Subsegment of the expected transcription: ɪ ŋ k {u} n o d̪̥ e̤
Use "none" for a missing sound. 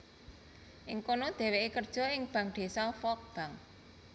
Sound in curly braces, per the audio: o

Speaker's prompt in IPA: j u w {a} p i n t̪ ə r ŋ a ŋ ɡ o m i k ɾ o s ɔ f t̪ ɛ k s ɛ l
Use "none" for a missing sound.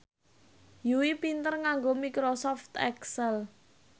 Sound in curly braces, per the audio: i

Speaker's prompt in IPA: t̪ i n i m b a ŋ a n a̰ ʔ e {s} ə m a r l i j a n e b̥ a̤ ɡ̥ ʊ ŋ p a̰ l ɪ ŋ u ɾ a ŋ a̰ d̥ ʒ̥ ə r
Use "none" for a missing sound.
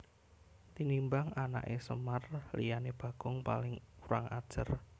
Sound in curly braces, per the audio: s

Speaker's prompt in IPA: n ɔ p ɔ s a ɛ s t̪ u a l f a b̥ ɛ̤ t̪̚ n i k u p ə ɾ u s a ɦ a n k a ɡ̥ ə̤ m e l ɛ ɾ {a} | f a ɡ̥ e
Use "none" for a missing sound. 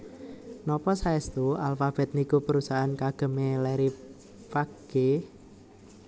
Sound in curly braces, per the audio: i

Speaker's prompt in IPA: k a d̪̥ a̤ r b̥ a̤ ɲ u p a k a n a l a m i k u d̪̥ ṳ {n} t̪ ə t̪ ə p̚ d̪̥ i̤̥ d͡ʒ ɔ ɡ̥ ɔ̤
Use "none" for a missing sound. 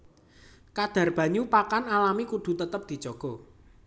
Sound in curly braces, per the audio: none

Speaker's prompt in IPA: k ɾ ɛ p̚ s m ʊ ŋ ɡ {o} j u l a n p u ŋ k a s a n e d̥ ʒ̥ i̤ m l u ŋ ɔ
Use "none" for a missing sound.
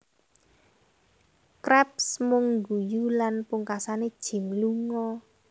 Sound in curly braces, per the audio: u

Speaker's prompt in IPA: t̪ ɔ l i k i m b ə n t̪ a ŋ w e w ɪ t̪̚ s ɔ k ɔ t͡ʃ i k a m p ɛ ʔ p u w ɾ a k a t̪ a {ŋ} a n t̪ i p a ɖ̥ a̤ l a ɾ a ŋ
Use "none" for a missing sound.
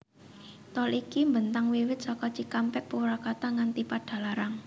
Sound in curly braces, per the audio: ŋ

